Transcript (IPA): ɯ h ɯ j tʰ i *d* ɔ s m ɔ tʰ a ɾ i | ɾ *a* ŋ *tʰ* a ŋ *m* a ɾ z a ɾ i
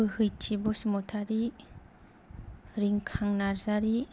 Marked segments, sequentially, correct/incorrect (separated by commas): incorrect, incorrect, incorrect, incorrect